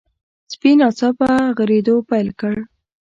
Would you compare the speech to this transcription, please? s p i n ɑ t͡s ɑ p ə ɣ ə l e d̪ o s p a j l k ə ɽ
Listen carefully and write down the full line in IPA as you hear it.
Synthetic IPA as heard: s p i n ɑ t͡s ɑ p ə ɣ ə ɾ e d̪ o p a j l k ə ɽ